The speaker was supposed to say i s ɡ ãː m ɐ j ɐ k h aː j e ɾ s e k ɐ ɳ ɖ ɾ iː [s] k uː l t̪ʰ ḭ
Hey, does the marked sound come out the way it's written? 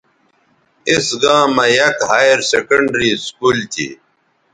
yes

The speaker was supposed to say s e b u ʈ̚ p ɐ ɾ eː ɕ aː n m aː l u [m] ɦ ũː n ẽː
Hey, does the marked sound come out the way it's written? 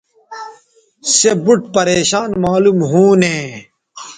yes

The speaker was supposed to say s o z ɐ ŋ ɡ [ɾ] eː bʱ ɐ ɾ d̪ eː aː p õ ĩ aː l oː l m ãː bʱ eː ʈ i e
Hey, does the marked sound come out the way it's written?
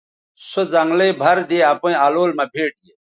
no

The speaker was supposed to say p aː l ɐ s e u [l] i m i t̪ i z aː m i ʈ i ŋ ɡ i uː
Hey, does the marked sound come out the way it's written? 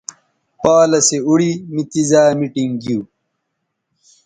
no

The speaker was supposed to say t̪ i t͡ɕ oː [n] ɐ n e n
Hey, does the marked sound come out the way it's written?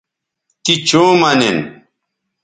no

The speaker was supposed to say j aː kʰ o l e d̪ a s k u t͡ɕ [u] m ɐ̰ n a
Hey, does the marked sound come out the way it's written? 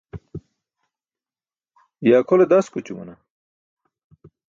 yes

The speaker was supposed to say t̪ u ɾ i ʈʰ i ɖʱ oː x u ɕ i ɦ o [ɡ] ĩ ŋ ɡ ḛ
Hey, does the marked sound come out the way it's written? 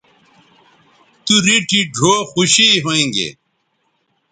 no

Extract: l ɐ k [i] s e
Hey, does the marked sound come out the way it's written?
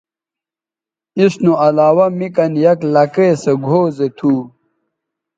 no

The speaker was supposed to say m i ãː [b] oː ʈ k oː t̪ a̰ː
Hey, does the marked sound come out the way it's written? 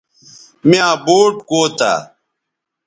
yes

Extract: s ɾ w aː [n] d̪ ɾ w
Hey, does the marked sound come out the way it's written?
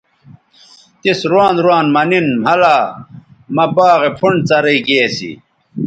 yes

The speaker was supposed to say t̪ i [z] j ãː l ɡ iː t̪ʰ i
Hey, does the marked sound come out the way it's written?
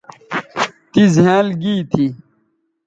yes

